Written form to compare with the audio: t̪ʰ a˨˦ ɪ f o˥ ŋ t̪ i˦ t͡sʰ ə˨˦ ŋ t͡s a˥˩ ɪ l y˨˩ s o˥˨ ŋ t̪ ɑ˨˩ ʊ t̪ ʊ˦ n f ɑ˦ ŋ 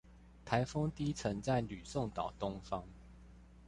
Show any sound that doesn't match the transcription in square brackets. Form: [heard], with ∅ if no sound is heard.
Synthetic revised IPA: t̪ʰ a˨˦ ɪ f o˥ ŋ t̪ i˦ t͡sʰ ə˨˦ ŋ t͡s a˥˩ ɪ l y˨˩ s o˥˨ ŋ t̪ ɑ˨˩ ʊ t̪ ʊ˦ [ŋ] f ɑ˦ ŋ